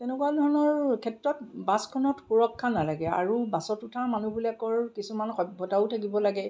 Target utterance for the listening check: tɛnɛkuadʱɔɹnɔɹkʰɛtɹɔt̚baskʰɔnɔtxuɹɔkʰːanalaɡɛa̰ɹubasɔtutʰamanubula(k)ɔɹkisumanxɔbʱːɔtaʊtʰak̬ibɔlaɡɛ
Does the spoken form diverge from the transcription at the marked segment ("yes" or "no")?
no